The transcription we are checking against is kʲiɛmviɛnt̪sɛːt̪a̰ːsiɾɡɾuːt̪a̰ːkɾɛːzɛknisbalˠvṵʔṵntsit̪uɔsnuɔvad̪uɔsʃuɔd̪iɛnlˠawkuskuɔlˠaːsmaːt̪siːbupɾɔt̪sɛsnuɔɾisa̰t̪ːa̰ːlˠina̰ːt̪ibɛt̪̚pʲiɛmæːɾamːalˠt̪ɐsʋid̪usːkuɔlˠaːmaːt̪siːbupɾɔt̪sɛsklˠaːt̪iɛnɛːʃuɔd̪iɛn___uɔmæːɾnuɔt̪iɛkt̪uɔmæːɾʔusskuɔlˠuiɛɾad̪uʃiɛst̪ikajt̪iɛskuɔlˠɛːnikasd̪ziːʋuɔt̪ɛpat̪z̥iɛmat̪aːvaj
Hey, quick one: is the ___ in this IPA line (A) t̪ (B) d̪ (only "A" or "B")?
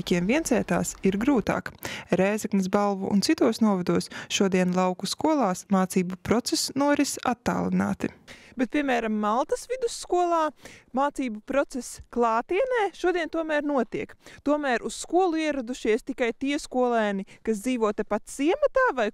A